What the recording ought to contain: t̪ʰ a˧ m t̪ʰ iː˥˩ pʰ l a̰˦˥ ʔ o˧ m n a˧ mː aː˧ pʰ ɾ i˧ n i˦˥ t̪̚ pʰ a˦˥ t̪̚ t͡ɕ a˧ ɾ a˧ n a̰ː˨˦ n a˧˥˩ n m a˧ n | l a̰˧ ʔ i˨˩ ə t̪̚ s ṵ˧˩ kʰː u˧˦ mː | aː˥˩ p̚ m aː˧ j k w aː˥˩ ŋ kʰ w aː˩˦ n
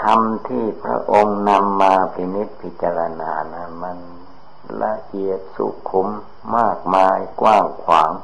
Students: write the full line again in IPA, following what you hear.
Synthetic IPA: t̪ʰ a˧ m t̪ʰ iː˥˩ pʰ ɾ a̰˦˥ ʔ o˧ ŋ n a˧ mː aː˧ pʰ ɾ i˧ n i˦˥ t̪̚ pʰ i˦˥ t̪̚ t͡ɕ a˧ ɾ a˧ n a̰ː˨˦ n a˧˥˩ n m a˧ n | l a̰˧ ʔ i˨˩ ə t̪̚ s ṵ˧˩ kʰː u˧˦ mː | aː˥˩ k̚ m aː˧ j k w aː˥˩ ŋ kʰ w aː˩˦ ŋ